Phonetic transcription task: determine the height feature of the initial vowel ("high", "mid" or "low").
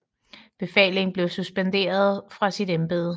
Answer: mid